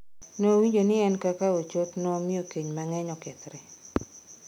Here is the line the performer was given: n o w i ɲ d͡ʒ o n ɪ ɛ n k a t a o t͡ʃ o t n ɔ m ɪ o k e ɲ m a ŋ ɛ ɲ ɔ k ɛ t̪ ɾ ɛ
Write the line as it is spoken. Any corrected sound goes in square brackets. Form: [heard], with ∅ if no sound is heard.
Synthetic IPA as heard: n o w i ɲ d͡ʒ o n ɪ ɛ n k a [k] a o t͡ʃ o t n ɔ m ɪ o k e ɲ m a ŋ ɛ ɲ ɔ k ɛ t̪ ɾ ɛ